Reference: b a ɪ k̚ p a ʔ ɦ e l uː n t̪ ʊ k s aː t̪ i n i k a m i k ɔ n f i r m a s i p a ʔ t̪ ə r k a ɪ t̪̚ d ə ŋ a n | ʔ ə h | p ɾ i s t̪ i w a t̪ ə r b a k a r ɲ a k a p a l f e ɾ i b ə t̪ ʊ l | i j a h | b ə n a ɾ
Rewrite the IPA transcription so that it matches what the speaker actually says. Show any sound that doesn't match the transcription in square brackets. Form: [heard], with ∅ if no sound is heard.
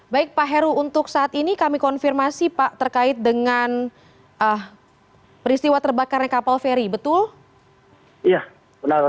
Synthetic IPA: b a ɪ k̚ p a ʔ ɦ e [ɾ] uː n t̪ ʊ k s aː t̪ i n i k a m i k ɔ n f i r m a s i p a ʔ t̪ ə r k a ɪ t̪̚ d ə ŋ a n | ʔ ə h | p ɾ i s t̪ i w a t̪ ə r b a k a r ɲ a k a p a l f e ɾ i b ə t̪ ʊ l | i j a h | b ə n a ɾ